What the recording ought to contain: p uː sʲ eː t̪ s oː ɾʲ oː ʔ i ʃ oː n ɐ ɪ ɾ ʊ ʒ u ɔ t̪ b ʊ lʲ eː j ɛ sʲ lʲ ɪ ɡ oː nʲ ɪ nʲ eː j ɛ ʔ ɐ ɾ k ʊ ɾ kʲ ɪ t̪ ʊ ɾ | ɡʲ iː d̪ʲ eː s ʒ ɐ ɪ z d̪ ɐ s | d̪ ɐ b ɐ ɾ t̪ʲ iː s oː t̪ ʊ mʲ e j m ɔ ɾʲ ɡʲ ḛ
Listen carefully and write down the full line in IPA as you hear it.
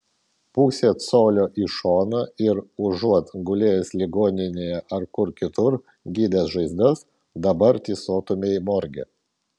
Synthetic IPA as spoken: p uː sʲ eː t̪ s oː lʲ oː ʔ i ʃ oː n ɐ ɪ ɾ ʊ ʒ u ɔ t̪ ɡ ʊ lʲ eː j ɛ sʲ lʲ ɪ ɡ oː nʲ ɪ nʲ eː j ɛ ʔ ɐ ɾ k ʊ ɾ kʲ ɪ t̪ ʊ ɾ | ɡʲ iː d̪ʲ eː s ʒ ɐ ɪ z d̪ ɐ s | d̪ ɐ b ɐ ɾ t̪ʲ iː s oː t̪ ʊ mʲ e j m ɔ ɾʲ ɡʲ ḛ

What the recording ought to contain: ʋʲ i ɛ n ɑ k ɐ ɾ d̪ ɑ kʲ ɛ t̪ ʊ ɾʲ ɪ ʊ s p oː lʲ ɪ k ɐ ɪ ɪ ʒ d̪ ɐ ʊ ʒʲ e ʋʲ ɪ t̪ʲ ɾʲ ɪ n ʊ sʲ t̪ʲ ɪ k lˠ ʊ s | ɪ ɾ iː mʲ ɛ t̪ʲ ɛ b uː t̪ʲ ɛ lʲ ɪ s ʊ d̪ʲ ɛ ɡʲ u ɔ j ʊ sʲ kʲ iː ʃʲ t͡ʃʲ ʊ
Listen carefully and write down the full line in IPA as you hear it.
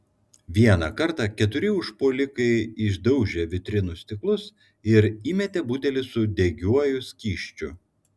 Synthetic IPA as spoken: ʋʲ i ɛ n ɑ k ɐ ɾ t̪ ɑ kʲ ɛ t̪ ʊ ɾʲ ɪ ʊ ʃ p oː lʲ ɪ k ɐ ɪ ɪ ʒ d̪ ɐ ʊ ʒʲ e ʋʲ ɪ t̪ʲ ɾʲ ɪ n ʊ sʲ t̪ʲ ɪ k lˠ ʊ s | ɪ ɾ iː mʲ ɛ t̪ʲ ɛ b uː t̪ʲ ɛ lʲ ɪ s ʊ d̪ʲ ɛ ɡʲ u ɔ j ʊ sʲ kʲ iː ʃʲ t͡ʃʲ ʊ

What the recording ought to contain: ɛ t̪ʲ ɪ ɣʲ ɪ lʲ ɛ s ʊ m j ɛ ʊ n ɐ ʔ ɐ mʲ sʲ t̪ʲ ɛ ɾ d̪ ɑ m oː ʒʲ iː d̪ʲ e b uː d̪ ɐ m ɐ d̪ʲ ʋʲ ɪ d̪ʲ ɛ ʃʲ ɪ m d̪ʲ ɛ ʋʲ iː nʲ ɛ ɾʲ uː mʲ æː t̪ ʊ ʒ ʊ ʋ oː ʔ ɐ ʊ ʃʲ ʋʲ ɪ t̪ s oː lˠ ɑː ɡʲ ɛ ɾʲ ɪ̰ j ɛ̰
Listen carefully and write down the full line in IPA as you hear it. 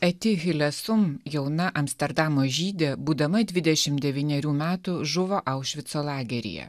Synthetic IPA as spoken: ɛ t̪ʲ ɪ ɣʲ ɪ lʲ ɛ s ʊ m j ɛ ʊ n ɐ ʔ ɐ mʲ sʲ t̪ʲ ɛ ɾ d̪ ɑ m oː ʒʲ iː d̪ʲ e b uː d̪ ɐ m ɐ d̪ʲ ʋʲ ɪ d̪ʲ ɛ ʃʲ ɪ m d̪ʲ ɛ ʋʲ iː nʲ ɛ ɾʲ uː mʲ æː t̪ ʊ ʒ ʊ ʋ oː ʔ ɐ ʊ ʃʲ ʋʲ ɪ t̪ s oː lˠ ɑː ɡʲ ɛ ɾʲ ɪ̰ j ɛ̰

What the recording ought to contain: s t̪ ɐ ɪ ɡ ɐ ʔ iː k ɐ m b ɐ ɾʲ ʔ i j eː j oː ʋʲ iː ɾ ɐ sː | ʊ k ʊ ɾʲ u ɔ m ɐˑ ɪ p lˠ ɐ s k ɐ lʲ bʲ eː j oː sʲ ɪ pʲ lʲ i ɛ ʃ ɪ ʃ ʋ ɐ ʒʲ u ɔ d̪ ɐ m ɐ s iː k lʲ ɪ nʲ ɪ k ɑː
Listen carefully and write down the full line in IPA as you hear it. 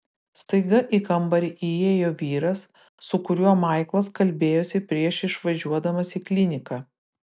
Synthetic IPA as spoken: s t̪ ɐ ɪ ɡ ɐ ʔ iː k ɐ m b ɐ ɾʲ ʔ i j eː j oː ʋʲ iː ɾ ɐ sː | ʊ k ʊ ɾʲ u ɔ m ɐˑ ɪ k lˠ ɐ s k ɐ lʲ bʲ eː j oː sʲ ɪ pʲ ɾʲ i ɛ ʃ ɪ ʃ ʋ ɐ ʒʲ u ɔ d̪ ɐ m ɐ s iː k lʲ ɪ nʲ ɪ k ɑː

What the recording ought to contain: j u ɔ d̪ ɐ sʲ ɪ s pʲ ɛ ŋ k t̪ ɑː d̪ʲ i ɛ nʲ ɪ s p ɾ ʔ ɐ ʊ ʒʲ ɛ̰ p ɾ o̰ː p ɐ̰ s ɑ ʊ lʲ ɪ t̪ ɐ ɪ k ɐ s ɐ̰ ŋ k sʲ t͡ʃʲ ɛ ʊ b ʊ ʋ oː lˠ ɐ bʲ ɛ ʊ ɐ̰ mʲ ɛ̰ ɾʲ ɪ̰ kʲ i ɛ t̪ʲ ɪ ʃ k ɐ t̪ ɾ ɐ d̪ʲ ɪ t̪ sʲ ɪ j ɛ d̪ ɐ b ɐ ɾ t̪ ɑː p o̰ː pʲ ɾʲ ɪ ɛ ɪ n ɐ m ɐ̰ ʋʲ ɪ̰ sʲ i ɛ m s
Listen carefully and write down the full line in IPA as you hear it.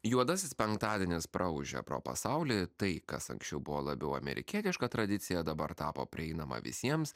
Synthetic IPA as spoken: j u ɔ d̪ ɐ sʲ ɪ s pʲ ɛ ŋ k t̪ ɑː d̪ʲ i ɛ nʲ ɪ s p ɾ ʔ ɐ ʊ ʒʲ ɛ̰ p ɾ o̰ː p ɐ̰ s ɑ ʊ lʲ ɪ t̪ ɐ ɪ k ɐ s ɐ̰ ŋ k sʲ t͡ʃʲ ɛ ʊ b ʊ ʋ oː lˠ ɐ bʲ ɛ ʊ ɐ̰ mʲ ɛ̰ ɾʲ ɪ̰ kʲ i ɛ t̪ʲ ɪ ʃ k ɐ t̪ ɾ ɐ d̪ʲ ɪ t̪ sʲ ɪ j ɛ d̪ ɐ b ɐ ɾ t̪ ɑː p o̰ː pʲ ɾʲ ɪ ɛ ɪ n ɐ m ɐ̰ ʋʲ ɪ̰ sʲ i ɛ m s

